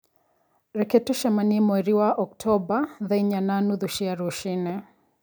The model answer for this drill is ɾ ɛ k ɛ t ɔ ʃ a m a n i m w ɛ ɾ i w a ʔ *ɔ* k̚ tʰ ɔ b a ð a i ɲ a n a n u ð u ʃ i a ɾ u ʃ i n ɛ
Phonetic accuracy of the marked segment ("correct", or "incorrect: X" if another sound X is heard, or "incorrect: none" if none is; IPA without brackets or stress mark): correct